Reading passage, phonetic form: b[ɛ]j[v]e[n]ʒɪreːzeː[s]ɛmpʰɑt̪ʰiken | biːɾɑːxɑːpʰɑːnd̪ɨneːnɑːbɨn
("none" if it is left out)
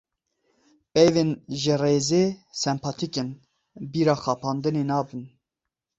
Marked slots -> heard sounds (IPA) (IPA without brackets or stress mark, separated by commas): ɛ, v, n, s